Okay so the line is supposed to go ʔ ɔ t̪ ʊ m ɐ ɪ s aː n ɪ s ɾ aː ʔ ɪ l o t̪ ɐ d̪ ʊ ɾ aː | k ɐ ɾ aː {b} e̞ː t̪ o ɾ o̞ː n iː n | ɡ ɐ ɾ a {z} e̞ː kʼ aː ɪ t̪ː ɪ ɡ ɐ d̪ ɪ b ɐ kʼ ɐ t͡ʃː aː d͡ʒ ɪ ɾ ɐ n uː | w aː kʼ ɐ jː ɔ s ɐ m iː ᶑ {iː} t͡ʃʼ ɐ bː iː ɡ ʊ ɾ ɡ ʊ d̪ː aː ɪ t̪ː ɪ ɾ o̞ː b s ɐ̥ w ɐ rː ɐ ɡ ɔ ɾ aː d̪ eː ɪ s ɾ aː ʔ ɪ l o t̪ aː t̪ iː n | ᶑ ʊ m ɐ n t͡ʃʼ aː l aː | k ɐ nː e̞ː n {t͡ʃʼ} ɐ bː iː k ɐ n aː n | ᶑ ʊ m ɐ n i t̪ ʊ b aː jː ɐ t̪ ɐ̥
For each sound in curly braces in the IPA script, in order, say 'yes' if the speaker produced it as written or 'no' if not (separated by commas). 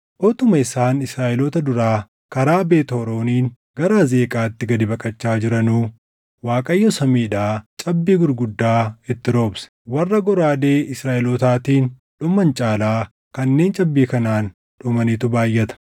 yes, yes, no, yes